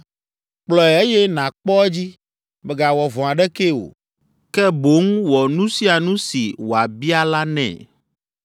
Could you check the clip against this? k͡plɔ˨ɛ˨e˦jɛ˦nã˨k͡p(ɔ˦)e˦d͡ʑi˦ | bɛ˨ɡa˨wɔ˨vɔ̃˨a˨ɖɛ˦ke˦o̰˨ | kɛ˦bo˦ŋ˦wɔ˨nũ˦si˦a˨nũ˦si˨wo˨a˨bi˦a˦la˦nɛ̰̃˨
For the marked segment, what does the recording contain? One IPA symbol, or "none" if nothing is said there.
ɔ˦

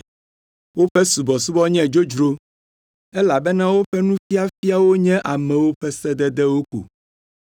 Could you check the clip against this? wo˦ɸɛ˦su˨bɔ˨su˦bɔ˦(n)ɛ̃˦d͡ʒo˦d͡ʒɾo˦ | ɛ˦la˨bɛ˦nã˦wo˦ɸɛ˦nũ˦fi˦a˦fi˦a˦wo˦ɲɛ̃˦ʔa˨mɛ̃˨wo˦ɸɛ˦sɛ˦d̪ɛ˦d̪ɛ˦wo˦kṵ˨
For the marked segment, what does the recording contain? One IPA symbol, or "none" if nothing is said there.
ɲ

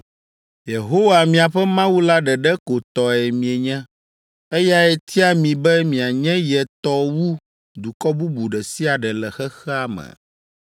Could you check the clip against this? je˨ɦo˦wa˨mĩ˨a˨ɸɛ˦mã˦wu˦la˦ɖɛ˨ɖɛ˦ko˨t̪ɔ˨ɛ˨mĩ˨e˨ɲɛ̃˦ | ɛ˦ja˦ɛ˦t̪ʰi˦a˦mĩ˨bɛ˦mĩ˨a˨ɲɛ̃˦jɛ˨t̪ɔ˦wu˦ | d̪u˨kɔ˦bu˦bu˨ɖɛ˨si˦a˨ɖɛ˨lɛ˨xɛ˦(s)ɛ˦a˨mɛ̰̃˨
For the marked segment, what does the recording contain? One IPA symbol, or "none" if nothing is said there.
x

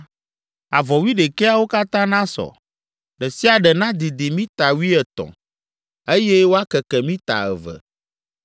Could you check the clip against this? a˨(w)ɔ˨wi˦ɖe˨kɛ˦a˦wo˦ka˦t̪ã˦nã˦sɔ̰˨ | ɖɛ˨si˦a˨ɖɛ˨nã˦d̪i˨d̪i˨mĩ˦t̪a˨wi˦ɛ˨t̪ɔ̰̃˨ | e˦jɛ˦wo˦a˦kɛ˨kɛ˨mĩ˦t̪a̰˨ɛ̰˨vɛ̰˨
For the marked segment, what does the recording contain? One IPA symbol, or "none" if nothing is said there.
v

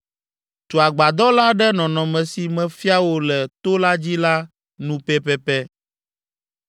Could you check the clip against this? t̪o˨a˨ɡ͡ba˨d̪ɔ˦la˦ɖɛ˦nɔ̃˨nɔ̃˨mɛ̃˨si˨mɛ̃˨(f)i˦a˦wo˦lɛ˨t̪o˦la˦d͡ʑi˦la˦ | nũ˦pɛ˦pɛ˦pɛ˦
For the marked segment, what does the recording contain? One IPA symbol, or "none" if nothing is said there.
f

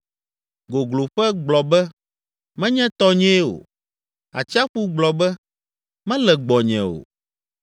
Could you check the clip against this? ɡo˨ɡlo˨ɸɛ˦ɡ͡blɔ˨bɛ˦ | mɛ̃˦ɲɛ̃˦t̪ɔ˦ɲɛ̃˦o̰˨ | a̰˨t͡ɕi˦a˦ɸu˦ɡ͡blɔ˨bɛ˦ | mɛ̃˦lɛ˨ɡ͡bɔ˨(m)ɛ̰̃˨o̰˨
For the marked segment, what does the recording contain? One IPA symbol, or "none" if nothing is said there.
ɲ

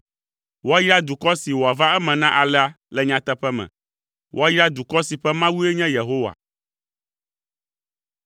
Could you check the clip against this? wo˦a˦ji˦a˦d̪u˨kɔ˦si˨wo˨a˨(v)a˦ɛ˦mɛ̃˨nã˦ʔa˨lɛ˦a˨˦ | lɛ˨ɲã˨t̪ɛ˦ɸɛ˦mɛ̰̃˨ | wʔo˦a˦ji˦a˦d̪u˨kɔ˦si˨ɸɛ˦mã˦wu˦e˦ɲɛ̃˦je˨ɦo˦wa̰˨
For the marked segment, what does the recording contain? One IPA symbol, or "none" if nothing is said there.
v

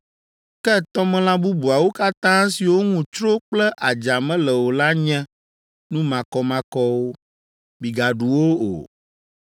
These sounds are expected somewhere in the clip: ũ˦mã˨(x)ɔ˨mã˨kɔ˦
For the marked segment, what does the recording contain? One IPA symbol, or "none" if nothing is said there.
k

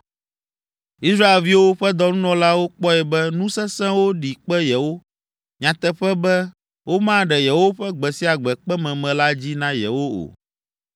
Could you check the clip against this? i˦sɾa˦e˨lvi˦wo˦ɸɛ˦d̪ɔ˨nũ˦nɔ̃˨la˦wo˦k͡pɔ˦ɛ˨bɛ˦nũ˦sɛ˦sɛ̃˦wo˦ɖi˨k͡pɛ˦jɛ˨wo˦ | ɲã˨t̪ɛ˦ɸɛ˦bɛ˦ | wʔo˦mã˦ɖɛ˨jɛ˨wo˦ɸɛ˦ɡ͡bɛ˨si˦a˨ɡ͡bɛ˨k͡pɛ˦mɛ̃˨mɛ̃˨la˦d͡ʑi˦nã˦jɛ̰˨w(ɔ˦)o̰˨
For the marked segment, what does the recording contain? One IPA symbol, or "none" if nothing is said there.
o˦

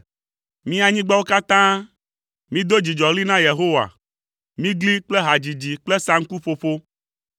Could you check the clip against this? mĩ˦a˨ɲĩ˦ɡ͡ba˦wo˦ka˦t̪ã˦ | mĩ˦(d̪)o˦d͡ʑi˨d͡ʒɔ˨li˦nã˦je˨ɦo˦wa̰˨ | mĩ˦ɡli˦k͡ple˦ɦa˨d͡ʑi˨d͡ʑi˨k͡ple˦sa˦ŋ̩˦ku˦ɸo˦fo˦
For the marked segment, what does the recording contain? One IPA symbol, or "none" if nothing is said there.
d̪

